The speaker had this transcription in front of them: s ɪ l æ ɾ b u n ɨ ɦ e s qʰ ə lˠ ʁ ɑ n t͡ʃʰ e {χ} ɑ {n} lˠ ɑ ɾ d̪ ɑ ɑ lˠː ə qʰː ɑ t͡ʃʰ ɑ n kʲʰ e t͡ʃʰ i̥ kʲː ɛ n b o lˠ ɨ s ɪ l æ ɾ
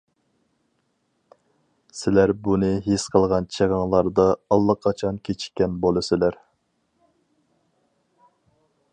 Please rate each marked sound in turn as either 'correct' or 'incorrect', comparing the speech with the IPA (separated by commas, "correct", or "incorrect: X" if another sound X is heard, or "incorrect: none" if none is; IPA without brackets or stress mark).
incorrect: ʁ, incorrect: ŋ